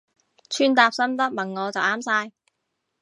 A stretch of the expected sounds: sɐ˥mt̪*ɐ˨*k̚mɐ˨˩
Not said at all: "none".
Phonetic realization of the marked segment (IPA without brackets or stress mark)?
ɐ˥